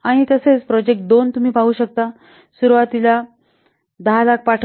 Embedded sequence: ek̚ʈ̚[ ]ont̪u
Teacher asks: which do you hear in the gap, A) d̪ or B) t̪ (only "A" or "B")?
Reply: A